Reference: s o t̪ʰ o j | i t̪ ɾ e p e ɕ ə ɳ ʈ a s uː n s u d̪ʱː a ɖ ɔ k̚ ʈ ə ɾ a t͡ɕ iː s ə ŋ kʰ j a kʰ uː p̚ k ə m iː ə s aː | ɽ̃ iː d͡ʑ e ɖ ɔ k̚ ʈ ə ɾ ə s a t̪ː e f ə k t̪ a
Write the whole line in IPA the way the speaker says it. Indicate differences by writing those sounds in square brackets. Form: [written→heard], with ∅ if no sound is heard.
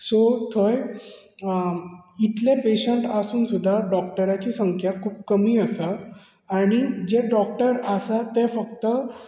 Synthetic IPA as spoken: s o t̪ʰ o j | i t̪ [ɾ→l] e p e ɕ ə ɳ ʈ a s uː n s u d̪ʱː a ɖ ɔ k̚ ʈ ə ɾ a t͡ɕ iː s ə ŋ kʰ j a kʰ uː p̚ k ə m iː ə s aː | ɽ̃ [iː→i] d͡ʑ e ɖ ɔ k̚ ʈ ə ɾ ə s a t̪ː e f ə k t̪ [a→ə]